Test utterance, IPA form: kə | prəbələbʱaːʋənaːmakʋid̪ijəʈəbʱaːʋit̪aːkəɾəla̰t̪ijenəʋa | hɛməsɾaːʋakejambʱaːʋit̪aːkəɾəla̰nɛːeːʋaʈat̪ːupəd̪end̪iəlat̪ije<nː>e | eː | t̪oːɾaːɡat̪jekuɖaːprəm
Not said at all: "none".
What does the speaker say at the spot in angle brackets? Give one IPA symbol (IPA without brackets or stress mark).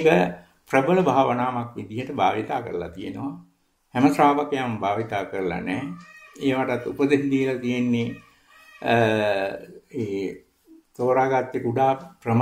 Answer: nː